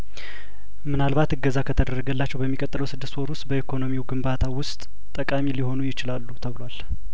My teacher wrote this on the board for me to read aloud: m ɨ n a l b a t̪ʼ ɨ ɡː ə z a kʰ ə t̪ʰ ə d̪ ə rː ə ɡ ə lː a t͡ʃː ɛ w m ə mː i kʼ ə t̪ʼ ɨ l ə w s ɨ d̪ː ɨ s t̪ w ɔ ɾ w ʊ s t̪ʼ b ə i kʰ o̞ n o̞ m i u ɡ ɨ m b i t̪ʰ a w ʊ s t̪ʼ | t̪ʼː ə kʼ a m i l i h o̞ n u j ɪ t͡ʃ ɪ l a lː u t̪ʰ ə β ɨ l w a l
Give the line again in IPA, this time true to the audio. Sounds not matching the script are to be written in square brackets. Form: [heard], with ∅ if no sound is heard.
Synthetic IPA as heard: m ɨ n a l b a [t̪] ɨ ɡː ə z a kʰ ə t̪ʰ ə d̪ ə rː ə ɡ ə lː a t͡ʃː ɛ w [b] ə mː i kʼ ə t̪ʼ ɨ l ə w s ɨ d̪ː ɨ s t̪ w ɔ ɾ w ʊ s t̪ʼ b ə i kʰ o̞ n o̞ m i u ɡ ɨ m b [a] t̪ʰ a w ʊ s t̪ʼ | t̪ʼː ə kʼ a m i l i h o̞ n u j ɪ t͡ʃ ɪ l a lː u t̪ʰ ə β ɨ l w a l

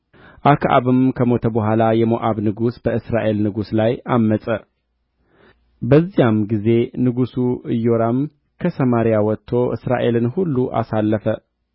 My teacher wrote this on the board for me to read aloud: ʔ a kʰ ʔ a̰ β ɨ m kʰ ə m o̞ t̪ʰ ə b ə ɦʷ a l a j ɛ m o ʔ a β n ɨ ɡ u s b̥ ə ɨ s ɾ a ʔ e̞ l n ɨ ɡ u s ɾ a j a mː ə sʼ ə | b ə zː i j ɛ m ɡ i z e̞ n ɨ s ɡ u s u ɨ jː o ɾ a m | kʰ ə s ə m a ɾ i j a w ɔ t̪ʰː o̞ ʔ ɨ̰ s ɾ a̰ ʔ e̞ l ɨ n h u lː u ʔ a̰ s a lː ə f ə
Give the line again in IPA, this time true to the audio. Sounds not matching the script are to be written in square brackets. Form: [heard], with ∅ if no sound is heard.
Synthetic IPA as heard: ʔ a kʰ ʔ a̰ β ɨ m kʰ ə m o̞ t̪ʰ ə b ə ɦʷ a l a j ɛ m o ʔ a β n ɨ ɡ u s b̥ ə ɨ s ɾ a ʔ e̞ l n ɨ ɡ u s [l] a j a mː ə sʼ ə | b ə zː i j [a] m ɡ i z e̞ n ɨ [∅] ɡ u s u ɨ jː o ɾ a m | kʰ ə s ə m a ɾ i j a w ɔ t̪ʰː o̞ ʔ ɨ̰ s ɾ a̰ ʔ e̞ l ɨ n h u lː u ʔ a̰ s a lː ə f ə

